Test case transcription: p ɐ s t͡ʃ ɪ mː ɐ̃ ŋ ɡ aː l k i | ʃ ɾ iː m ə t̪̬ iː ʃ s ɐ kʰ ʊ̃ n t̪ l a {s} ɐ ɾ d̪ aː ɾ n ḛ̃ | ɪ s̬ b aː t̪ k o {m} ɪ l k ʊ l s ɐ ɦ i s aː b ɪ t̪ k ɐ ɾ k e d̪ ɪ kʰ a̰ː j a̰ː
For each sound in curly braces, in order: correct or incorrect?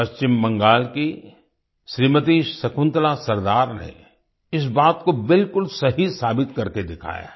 correct, incorrect: b

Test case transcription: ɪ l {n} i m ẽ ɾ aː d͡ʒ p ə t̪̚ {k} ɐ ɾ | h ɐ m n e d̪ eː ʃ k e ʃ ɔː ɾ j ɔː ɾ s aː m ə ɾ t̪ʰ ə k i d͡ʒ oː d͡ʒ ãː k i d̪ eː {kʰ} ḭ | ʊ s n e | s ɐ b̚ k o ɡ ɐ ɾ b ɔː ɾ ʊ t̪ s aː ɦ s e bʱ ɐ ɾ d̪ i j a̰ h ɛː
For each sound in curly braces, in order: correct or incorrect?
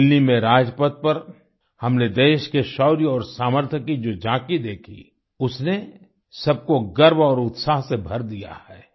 correct, incorrect: p, correct

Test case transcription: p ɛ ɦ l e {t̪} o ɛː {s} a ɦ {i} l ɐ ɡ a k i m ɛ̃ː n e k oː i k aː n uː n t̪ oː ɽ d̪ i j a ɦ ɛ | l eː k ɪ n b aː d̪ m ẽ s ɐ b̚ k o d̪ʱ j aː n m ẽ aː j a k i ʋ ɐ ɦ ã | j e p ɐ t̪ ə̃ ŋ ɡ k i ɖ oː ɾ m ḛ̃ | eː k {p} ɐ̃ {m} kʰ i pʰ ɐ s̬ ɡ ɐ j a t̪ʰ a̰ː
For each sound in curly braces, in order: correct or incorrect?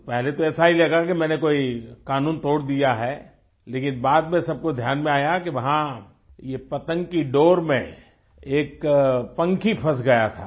correct, correct, correct, correct, incorrect: ŋ

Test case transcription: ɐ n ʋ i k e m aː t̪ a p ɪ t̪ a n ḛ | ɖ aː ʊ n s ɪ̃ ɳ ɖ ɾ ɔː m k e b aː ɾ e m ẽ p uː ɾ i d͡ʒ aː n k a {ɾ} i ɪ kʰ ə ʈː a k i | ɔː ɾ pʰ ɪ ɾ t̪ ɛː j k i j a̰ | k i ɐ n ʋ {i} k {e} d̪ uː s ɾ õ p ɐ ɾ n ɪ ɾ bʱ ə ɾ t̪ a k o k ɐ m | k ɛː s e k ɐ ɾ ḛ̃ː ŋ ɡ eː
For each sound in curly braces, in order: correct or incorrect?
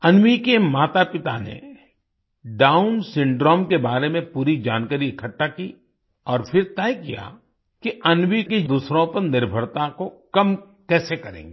correct, correct, correct

